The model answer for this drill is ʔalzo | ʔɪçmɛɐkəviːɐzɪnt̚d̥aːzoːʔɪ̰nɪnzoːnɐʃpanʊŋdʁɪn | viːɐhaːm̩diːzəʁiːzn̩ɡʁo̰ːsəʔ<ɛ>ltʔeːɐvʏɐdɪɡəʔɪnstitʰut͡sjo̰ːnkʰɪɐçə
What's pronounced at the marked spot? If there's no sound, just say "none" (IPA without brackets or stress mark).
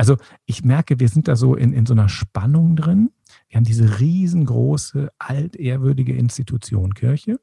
a